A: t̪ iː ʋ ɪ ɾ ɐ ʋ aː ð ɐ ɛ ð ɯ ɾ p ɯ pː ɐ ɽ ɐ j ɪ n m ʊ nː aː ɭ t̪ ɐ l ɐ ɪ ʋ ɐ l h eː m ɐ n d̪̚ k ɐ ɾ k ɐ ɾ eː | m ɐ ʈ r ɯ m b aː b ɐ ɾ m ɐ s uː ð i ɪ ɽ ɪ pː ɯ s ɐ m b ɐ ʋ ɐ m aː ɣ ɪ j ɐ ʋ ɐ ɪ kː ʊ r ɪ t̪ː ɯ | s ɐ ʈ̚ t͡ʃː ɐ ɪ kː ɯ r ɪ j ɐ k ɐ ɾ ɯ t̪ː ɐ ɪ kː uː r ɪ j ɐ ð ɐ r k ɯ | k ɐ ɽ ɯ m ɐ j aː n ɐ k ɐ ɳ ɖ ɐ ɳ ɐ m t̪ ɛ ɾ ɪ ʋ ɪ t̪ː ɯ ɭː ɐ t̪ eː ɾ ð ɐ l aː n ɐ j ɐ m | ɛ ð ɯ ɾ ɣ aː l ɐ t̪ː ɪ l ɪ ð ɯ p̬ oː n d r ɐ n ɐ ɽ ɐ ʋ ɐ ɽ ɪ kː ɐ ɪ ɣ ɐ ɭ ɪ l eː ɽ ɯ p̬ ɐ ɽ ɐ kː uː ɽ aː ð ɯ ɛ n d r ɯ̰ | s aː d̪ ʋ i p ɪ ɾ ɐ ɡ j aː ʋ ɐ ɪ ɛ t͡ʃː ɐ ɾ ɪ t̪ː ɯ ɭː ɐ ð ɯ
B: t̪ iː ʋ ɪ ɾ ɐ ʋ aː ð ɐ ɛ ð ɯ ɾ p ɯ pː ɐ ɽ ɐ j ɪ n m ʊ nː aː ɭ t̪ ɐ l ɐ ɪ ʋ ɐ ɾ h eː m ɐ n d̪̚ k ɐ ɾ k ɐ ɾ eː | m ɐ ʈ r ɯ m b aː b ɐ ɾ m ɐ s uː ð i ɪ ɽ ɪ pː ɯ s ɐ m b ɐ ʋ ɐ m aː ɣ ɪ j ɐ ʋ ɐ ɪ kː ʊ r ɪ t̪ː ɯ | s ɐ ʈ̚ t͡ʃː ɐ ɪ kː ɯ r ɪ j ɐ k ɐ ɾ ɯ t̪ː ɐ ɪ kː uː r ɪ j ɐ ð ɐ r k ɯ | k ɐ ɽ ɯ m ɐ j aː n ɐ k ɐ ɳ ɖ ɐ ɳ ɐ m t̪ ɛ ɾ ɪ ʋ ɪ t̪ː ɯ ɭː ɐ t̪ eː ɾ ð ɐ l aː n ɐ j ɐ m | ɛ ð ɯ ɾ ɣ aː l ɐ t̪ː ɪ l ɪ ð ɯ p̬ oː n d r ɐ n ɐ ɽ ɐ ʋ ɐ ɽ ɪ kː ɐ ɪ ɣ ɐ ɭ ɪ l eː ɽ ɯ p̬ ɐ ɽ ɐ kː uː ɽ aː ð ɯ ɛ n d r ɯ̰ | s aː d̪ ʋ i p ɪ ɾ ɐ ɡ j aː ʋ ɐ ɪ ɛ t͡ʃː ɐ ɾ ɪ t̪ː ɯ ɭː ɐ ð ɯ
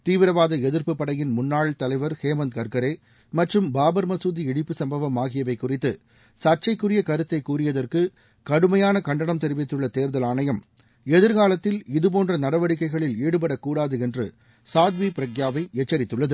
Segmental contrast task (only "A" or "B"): B